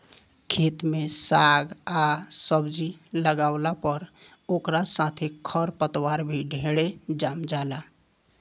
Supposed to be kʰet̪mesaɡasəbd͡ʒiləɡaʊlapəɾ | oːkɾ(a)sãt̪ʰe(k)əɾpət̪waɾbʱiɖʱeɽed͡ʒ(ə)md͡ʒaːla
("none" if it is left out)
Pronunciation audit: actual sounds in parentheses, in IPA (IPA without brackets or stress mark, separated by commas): a, kʰ, a